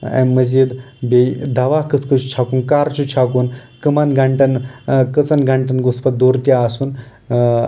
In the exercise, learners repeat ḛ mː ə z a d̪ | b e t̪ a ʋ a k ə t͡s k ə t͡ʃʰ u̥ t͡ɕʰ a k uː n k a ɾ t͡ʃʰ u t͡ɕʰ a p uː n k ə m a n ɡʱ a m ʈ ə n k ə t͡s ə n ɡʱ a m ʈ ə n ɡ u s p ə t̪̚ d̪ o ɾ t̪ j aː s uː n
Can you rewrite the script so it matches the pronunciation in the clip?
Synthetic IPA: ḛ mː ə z i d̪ | b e d̪ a ʋ a k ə t͡s k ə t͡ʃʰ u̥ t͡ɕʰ a k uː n k a ɾ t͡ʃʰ u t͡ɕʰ a k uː n k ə m a n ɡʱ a ɳ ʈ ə n k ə t͡s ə n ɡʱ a ɳ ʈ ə n ɡ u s p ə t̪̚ d̪ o ɾ t̪ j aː s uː n